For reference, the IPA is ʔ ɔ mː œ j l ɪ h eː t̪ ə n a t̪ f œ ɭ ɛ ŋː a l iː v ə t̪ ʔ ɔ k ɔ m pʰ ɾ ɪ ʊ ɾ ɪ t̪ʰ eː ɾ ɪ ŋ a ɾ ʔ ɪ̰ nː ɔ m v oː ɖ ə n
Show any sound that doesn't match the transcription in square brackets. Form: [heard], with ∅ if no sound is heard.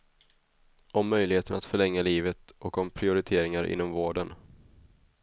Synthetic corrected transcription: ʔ ɔ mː œ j l ɪ h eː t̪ ə n a t̪ f œ ɭ ɛ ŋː a l iː v ə t̪ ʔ ɔ k ɔ m pʰ ɾ ɪ ʊ ɾ ɪ t̪ʰ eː ɾ ɪ ŋ a ɾ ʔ ɪ̰ nː ɔ m v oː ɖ ə n